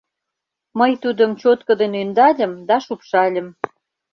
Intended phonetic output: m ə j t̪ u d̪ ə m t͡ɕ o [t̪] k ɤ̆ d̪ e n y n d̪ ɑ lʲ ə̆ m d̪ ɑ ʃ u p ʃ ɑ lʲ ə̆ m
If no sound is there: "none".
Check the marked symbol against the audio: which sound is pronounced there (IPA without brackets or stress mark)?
t̪